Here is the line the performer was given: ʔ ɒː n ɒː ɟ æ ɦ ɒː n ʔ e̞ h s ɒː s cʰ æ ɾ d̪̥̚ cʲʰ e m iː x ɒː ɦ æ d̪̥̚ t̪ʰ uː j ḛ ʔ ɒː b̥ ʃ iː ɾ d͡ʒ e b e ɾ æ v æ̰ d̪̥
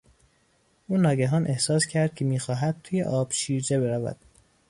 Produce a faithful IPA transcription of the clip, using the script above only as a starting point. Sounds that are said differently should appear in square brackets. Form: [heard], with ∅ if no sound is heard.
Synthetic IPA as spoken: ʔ [uː] n ɒː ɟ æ ɦ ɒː n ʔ e̞ h s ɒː s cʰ æ ɾ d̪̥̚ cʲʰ e m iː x ɒː ɦ æ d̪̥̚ t̪ʰ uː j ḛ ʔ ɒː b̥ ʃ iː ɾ d͡ʒ e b e ɾ æ v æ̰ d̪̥